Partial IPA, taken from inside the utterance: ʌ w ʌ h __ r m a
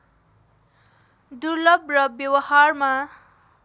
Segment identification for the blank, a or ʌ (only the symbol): a